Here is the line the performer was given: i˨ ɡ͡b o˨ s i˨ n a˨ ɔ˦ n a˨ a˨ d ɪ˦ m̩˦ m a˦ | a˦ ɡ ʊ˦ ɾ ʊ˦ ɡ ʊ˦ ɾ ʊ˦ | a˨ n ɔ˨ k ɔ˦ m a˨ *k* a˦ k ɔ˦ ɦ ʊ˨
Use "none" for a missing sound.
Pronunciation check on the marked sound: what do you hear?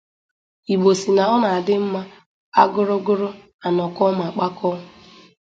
k͡p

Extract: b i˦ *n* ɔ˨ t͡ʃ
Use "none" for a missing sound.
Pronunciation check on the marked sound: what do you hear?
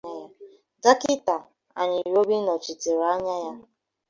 n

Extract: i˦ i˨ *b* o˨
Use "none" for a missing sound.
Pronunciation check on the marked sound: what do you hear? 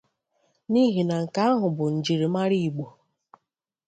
ɡ͡b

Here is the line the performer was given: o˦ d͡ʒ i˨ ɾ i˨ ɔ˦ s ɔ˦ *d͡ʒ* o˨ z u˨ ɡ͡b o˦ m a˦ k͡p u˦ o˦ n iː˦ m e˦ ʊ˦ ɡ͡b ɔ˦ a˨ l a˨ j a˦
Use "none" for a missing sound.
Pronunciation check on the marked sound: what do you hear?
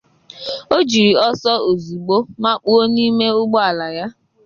none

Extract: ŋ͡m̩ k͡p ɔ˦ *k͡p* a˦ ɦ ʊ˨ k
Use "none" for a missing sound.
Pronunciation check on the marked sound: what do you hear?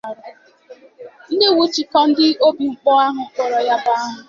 none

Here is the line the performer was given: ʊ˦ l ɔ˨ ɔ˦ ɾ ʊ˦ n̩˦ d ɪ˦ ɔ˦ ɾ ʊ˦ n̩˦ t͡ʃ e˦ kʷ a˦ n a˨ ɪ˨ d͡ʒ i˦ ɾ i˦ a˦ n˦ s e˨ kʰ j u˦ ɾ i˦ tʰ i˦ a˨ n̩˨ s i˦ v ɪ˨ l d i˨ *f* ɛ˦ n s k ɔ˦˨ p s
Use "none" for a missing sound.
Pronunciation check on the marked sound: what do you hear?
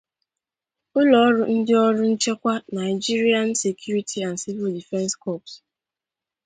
f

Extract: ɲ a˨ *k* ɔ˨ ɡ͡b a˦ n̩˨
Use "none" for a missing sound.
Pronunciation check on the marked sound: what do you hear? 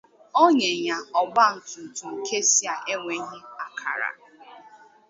none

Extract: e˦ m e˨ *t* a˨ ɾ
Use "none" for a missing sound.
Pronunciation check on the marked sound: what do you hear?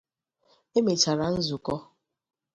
t͡ʃ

